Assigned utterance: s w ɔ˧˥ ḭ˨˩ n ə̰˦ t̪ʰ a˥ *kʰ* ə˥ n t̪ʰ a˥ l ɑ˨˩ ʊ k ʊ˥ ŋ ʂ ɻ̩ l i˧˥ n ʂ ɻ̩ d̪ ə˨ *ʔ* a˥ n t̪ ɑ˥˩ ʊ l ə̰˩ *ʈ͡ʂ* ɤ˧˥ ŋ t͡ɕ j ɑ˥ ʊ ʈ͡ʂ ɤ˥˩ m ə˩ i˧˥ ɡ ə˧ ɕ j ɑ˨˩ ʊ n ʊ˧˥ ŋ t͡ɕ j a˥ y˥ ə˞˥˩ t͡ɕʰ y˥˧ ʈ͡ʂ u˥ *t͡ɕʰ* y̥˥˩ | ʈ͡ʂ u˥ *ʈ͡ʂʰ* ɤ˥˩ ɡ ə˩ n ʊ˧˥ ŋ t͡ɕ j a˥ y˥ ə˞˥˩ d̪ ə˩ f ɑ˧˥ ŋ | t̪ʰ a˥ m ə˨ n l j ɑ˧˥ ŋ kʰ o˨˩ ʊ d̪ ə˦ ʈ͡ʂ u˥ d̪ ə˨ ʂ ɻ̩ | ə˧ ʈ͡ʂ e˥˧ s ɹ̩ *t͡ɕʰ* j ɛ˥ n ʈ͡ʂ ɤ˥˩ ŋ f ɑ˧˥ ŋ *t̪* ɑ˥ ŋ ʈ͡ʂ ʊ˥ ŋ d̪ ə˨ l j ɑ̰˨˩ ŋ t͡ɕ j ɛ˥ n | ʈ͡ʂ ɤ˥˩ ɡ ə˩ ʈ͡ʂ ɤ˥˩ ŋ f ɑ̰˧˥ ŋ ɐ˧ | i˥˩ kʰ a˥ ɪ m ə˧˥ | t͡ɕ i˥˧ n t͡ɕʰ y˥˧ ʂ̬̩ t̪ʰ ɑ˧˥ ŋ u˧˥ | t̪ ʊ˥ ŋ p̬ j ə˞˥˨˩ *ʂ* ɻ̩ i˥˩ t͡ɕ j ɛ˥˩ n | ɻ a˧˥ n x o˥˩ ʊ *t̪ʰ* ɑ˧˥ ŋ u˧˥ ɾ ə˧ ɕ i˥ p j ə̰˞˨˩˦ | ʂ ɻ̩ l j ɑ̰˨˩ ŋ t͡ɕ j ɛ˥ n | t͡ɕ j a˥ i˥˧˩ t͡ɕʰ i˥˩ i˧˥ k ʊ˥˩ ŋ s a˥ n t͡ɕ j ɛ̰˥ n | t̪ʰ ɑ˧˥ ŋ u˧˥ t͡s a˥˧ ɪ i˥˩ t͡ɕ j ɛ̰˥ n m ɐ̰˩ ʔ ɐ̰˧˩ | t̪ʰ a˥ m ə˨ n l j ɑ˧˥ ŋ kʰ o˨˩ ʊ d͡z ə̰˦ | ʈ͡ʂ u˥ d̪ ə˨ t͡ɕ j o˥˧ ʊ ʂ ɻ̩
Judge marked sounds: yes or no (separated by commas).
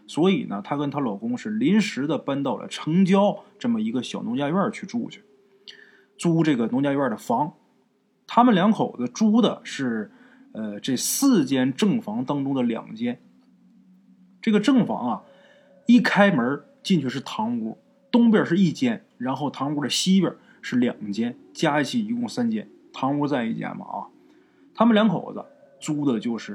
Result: no, no, no, yes, no, no, yes, yes, yes